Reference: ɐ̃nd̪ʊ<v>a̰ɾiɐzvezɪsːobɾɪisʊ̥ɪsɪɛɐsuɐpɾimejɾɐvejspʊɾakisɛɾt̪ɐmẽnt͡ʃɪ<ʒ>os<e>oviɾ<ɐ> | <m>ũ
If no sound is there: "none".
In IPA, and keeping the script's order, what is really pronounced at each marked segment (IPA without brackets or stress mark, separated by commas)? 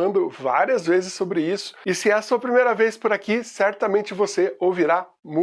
v, v, e, a, m